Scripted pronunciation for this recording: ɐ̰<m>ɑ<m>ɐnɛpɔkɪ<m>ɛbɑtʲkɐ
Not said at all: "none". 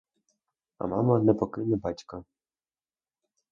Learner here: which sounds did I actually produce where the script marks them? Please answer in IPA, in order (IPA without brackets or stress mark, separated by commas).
m, m, n